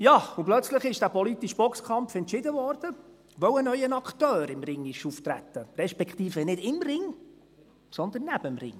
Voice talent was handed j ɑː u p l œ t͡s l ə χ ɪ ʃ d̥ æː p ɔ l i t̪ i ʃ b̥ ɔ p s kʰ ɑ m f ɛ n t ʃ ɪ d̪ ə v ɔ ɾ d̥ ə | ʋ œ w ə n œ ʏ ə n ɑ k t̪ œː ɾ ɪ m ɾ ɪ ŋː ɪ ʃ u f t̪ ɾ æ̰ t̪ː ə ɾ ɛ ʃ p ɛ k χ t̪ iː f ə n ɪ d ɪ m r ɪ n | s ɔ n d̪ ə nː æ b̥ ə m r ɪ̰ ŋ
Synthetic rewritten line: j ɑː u p l œ t͡s l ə χ ɪ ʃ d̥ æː p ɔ l i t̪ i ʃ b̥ ɔ k s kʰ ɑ m f ɛ n t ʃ ɪ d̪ ə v ɔ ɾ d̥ ə | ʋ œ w ə n œ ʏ ə n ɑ k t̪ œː ɾ ɪ m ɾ ɪ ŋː ɪ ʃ u f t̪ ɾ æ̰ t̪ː ə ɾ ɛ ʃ p ɛ k χ t̪ iː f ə n ɪ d ɪ m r ɪ ŋ | s ɔ n d̪ ə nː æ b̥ ə m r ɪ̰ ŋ